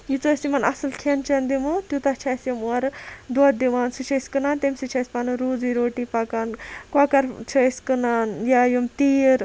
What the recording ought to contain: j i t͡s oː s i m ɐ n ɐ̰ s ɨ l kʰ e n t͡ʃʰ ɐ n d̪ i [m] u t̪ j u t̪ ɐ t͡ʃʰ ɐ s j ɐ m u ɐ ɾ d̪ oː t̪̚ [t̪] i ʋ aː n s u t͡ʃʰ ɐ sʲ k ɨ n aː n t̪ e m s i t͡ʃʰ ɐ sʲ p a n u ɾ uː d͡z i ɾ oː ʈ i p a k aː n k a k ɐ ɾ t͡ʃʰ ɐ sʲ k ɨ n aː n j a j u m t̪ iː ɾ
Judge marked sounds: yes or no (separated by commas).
yes, no